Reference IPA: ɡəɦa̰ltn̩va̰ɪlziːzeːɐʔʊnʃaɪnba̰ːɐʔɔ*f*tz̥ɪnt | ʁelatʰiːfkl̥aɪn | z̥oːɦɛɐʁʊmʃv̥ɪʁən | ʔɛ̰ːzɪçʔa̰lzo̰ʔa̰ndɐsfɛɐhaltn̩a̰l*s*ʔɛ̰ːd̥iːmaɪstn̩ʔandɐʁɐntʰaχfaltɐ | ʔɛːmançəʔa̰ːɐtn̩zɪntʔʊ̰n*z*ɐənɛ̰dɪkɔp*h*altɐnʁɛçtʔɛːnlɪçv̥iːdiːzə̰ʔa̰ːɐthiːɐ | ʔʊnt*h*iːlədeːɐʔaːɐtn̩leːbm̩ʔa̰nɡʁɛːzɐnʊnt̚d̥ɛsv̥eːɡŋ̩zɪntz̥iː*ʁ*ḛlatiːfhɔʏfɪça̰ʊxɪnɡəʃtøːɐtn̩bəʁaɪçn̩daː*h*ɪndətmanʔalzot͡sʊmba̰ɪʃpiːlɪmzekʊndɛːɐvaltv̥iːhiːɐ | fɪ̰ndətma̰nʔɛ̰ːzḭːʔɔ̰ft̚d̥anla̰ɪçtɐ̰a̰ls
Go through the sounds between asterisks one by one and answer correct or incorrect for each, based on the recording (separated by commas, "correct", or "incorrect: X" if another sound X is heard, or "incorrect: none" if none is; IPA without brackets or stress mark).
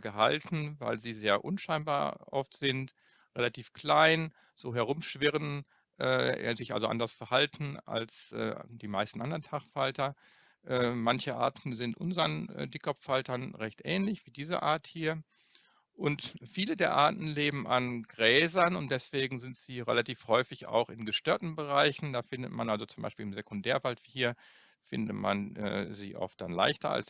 correct, correct, correct, incorrect: f, incorrect: f, correct, incorrect: f